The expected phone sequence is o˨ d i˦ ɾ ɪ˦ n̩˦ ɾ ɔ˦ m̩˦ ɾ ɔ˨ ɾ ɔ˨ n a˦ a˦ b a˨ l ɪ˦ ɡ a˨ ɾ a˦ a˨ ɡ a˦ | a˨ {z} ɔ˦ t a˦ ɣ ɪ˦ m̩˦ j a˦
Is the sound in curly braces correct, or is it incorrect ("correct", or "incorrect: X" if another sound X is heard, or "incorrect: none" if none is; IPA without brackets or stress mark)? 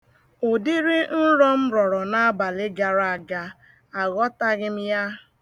incorrect: ɣ